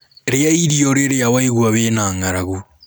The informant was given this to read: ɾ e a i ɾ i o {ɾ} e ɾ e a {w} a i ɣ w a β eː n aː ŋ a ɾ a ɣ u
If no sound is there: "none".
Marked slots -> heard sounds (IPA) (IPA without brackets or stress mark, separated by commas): ɾ, w